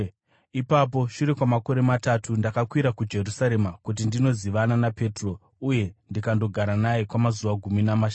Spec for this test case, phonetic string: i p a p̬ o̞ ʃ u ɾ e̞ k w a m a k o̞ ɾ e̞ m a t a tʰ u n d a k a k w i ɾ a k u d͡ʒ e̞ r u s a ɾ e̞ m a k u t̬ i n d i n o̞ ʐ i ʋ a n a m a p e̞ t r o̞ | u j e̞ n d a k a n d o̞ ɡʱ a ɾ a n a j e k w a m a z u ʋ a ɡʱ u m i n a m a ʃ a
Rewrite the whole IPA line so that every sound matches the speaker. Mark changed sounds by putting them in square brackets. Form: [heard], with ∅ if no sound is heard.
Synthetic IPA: i p a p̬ o̞ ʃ u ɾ e̞ k w a m a k o̞ ɾ e̞ m a t a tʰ u n d a k a k w i ɾ a k u d͡ʒ e̞ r u s a ɾ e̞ m a k u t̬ i n d i n o̞ [z] i ʋ a n a [n] a p e̞ t r o̞ | u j e̞ n d [i] k a n d o̞ ɡʱ a ɾ a n a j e k w a m a z u ʋ a ɡʱ u m i n a m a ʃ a